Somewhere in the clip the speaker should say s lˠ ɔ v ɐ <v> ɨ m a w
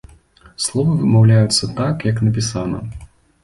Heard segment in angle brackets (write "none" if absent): v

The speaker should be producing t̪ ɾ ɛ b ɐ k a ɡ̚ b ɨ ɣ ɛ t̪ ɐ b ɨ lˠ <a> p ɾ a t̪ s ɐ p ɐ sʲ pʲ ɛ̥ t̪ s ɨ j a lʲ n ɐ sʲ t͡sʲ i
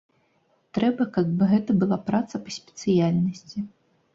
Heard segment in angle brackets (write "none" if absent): a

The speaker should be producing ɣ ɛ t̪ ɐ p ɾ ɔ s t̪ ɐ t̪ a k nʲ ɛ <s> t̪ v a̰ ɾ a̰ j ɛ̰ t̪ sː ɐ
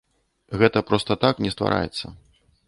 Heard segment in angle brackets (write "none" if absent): s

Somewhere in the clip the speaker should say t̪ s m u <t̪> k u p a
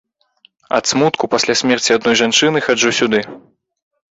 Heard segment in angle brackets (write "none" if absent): t̪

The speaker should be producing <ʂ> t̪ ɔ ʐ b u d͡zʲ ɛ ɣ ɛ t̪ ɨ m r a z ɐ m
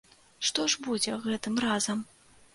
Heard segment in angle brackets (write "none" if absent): ʂ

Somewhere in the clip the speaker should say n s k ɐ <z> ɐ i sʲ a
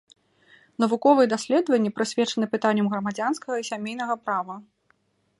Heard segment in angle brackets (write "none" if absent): ɣ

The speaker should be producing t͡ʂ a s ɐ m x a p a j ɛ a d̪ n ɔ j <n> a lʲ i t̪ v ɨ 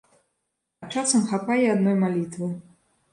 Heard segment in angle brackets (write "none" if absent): m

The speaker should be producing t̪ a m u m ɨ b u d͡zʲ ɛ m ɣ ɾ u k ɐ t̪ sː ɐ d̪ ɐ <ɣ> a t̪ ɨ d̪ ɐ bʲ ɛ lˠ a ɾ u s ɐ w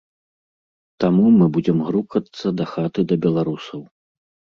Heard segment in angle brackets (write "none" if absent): x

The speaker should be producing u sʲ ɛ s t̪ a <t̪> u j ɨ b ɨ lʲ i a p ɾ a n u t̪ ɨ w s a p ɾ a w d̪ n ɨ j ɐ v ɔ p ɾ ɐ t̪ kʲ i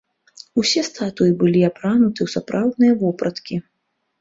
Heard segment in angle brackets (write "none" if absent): t̪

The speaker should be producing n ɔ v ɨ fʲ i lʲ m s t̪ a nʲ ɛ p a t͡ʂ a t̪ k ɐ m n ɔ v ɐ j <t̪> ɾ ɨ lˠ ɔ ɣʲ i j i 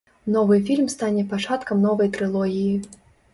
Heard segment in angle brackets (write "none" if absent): t̪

